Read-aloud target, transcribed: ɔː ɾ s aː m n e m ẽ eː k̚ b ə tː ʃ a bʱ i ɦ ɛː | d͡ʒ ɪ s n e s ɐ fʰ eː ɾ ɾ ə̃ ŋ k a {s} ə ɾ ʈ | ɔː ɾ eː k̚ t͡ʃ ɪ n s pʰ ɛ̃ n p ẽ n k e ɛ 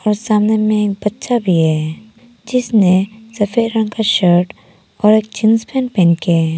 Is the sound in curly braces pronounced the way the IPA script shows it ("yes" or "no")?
no